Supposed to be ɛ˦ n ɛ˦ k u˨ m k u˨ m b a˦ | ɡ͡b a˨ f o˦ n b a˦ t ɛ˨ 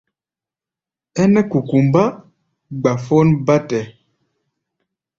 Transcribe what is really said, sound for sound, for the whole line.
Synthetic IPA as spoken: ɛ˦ n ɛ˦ k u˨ k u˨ m b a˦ | ɡ͡b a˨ f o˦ n b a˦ t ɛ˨